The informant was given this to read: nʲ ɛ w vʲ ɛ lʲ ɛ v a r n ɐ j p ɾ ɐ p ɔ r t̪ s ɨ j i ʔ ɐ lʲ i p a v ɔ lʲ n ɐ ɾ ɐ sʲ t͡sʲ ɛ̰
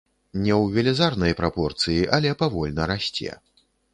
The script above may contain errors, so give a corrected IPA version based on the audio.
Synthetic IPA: nʲ ɛ w vʲ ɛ lʲ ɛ z a r n ɐ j p ɾ a p ɔ r t̪ s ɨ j i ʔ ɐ lʲ ɛ p a v ɔ lʲ n ɐ ɾ a sʲ t͡sʲ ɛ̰